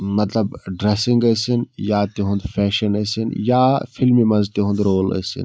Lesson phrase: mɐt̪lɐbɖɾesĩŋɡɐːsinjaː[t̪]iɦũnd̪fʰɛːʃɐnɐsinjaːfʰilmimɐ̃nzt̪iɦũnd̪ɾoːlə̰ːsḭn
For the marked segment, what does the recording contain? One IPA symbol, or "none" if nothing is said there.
t̪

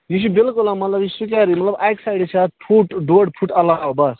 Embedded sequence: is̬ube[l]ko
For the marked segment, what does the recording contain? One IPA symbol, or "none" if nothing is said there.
l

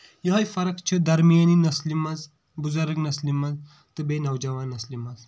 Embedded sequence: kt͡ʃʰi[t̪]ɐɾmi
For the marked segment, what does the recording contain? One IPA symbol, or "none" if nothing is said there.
d̪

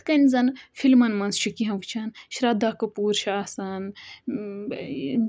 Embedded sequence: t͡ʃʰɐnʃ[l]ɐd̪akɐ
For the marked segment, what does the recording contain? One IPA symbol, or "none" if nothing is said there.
ɾ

